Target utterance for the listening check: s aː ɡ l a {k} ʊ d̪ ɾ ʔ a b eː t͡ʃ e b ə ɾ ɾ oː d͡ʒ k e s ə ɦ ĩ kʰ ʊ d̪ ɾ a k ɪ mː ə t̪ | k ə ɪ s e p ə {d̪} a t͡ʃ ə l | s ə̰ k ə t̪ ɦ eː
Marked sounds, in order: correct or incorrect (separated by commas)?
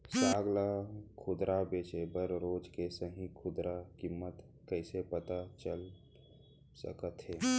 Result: incorrect, incorrect